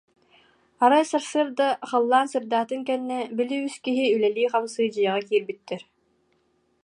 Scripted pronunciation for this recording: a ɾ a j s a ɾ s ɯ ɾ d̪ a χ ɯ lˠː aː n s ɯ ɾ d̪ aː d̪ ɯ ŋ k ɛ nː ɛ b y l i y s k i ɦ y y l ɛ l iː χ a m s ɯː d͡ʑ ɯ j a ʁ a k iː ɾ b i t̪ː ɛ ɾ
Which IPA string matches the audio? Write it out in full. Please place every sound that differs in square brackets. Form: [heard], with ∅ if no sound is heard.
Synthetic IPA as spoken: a ɾ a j s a ɾ s ɯ ɾ d̪ a χ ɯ lˠː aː n s ɯ ɾ d̪ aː [t̪] ɯ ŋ k ɛ nː ɛ b [i] l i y s k i ɦ [i] y l ɛ l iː χ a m s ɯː d͡ʑ ɯ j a ʁ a k iː ɾ b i t̪ː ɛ ɾ